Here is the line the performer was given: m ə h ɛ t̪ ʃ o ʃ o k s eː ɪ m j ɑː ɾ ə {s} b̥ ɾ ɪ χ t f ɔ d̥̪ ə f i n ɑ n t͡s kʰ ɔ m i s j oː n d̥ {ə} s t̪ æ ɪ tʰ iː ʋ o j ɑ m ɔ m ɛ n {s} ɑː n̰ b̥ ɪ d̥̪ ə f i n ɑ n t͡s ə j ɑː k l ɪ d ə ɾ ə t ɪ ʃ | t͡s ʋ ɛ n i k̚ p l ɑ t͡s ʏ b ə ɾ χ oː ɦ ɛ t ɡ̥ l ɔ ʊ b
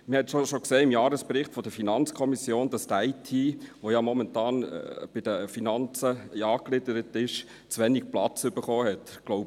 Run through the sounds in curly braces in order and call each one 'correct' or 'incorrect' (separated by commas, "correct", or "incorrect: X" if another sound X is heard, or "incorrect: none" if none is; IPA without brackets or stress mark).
correct, incorrect: ɑ, incorrect: t